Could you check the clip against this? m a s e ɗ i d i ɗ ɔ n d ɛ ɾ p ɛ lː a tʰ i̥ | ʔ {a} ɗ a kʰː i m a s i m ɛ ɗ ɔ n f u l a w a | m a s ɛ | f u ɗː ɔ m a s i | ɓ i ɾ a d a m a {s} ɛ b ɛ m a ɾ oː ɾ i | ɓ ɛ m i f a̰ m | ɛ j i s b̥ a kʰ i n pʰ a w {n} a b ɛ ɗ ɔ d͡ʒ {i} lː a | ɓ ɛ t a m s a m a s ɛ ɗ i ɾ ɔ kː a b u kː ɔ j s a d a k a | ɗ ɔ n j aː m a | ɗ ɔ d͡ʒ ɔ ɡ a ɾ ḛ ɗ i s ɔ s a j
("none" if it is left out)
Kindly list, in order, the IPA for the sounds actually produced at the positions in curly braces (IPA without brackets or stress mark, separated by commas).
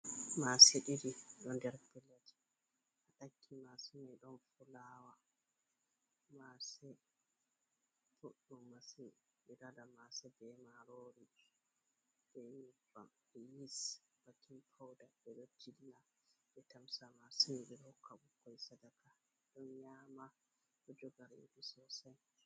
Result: a, s, d, i